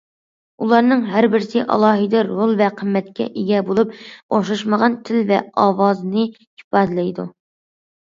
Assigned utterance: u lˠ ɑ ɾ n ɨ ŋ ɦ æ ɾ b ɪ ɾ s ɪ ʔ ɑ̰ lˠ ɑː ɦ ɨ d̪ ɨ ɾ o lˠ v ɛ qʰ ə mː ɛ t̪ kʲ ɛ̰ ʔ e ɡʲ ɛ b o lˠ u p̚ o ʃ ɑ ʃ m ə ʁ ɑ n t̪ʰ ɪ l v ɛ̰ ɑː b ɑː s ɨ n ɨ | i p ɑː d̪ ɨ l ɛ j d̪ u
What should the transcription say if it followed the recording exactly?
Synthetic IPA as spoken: u lˠ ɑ ɾ n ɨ ŋ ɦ æ ɾ b ɪ ɾ s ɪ ʔ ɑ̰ lˠ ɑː ɦ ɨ d̪ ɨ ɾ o lˠ v ɛ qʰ ə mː ɛ t̪ kʲ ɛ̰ ʔ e ɡʲ ɛ b o lˠ u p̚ o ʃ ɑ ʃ m ə ʁ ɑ n t̪ʰ ɪ l v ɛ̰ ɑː w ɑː z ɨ n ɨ | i p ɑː d̪ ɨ l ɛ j d̪ u

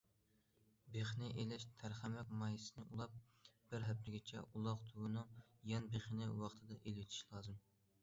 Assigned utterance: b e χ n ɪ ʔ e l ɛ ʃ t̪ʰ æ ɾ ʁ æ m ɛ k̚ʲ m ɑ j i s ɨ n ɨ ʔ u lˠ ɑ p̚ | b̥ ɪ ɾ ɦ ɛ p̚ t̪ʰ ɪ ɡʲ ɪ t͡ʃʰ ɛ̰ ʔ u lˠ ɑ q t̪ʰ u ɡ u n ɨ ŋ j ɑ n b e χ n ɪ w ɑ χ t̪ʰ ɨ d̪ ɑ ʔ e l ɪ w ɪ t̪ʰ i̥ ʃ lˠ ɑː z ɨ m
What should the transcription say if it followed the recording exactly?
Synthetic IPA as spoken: b e χ n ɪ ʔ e l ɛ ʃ t̪ʰ æ ɾ χ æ m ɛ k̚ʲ m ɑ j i s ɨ n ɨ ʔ u lˠ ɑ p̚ | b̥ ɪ ɾ ɦ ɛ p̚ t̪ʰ ɪ ɡʲ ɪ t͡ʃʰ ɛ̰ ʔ u lˠ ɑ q t̪ʰ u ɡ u n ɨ ŋ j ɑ n b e χ n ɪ w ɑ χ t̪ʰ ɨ d̪ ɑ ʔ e l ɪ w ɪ t̪ʰ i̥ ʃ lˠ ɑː z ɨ m

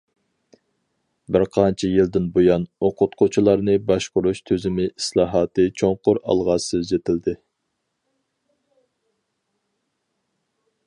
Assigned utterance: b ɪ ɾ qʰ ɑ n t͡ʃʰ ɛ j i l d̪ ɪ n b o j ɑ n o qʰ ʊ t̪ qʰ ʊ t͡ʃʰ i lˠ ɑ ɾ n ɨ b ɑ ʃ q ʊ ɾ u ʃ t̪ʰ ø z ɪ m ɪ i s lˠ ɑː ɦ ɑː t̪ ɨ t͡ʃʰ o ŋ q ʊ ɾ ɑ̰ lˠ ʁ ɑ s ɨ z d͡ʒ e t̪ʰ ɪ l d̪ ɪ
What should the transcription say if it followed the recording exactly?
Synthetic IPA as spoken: b ɪ ɾ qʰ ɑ n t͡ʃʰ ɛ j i l d̪ ɪ n b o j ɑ n o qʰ ʊ t̪ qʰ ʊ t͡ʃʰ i lˠ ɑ ɾ n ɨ b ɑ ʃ q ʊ ɾ u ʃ t̪ʰ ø z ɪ m ɪ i s lˠ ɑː ɦ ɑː t̪ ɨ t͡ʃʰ o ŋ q ʊ ɾ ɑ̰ lˠ ʁ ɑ s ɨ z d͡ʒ e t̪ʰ ɪ l d̪ ɪ

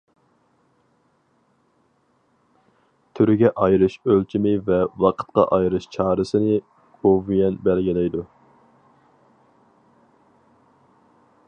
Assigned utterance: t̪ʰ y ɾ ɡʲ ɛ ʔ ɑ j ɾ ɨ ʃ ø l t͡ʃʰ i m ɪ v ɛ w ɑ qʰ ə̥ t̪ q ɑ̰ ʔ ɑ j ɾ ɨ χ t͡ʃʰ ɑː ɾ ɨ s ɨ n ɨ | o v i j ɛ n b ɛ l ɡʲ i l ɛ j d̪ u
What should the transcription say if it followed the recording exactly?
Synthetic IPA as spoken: t̪ʰ y ɾ ɡʲ ɛ ʔ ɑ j ɾ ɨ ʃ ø l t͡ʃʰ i m ɪ v ɛ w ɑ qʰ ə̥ t̪ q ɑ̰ ʔ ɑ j ɾ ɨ ʃ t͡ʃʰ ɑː ɾ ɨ s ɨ n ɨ | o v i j ɛ n b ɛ l ɡʲ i l ɛ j d̪ u

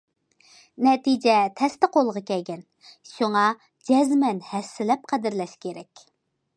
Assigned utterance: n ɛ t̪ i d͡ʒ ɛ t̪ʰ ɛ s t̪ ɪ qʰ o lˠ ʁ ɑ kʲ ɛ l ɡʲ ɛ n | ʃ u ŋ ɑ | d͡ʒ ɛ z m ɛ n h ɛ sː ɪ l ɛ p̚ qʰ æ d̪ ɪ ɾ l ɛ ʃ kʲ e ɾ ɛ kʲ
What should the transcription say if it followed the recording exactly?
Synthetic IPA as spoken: n ɛ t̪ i d͡ʒ ɛ t̪ʰ ɛ s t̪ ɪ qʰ o lˠ ʁ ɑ kʲ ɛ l ɡʲ ɛ n | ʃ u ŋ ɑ | d͡ʒ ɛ z m ɛ n h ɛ sː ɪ l ɛ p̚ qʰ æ d̪ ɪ ɾ l ɛ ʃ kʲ e ɾ ɛ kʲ

